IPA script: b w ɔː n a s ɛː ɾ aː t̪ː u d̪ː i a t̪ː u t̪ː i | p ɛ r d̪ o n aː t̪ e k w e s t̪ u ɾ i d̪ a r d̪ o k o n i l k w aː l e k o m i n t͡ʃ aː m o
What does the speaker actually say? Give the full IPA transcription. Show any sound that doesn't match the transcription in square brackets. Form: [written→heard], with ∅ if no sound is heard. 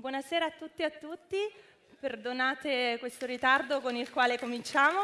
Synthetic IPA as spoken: b w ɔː n a s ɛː ɾ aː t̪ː u [d̪ː→t̪ː] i a t̪ː u t̪ː i | p [ɛ→e] r d̪ o n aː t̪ e k w e s t̪ [u→o] ɾ i [d̪→t̪] a r d̪ o k o n i l k w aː l e k o m i n t͡ʃ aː m o